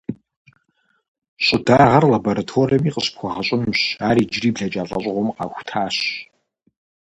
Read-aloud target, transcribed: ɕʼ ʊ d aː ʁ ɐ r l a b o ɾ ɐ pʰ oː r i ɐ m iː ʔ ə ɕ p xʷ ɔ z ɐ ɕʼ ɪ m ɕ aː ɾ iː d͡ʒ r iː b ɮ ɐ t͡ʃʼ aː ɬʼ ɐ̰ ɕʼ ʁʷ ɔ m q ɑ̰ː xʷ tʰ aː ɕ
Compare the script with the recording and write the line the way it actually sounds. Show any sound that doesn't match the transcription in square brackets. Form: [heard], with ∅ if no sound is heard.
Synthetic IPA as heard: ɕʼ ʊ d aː ʁ ɐ r l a b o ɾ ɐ [tʰ] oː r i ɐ m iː [q] ə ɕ p xʷ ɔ [ʁ] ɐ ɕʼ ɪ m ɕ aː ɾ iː d͡ʒ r iː b ɮ ɐ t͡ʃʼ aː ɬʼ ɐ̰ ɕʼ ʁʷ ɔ m q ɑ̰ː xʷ tʰ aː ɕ